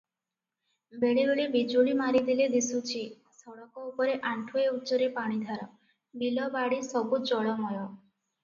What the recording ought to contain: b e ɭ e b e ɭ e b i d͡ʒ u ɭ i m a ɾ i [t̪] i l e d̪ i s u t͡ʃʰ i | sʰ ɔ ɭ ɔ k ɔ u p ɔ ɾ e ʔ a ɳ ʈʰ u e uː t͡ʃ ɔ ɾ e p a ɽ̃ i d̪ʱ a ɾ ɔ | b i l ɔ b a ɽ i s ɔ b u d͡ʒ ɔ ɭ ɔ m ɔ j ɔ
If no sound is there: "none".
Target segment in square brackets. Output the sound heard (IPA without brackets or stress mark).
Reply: d̪